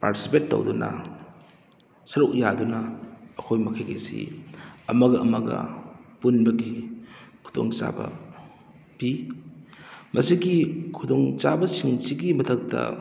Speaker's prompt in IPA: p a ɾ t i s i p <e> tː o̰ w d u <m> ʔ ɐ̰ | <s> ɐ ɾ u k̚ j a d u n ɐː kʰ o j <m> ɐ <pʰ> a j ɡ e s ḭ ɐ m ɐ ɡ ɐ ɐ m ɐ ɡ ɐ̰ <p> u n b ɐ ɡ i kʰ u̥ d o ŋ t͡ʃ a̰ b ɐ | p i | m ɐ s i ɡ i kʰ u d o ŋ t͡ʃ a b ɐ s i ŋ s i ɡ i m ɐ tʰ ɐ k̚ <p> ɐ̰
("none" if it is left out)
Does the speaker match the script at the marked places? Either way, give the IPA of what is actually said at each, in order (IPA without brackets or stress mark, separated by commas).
e, n, s, m, kʰ, p, t